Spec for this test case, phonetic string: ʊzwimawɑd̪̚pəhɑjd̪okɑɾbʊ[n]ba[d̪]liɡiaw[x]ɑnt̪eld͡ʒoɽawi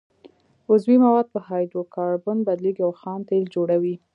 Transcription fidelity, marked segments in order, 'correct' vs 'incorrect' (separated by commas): correct, correct, correct